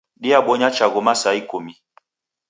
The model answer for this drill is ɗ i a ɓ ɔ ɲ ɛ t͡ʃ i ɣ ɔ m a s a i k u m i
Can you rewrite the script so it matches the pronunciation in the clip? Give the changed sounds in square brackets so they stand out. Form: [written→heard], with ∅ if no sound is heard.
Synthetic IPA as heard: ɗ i a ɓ ɔ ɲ [ɛ→a] t͡ʃ [i→a] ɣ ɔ m a s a i k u m i

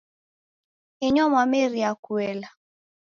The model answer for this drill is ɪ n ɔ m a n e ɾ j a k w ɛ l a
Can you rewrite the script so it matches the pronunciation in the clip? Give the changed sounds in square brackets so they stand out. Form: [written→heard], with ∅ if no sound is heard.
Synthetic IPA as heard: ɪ [n→ɲ] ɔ m a [n→m] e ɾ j a k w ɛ l a

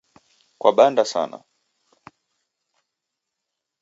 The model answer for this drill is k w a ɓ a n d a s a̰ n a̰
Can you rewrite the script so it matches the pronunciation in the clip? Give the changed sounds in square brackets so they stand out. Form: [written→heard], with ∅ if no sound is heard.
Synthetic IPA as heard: k w a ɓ a n d a s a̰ n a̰

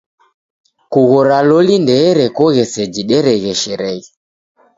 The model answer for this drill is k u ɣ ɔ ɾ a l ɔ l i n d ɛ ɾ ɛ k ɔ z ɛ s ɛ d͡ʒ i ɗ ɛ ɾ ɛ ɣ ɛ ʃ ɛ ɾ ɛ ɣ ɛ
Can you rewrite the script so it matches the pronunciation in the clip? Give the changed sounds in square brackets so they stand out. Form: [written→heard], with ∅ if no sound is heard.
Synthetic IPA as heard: k u ɣ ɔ ɾ a l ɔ l i n d ɛ ɾ ɛ k ɔ [z→ɣ] ɛ s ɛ d͡ʒ i ɗ ɛ ɾ ɛ ɣ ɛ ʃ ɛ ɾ ɛ ɣ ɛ

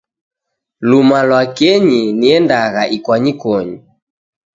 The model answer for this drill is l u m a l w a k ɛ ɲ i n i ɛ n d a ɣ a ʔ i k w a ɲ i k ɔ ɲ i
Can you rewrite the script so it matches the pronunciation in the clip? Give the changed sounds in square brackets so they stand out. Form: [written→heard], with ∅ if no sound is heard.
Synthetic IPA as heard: l u m a l w a k ɛ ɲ i n i ɛ n d a ɣ a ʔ i k w a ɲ i k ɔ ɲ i

